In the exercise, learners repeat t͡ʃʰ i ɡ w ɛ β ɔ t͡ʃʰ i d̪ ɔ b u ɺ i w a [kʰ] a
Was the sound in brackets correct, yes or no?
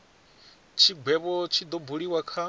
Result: yes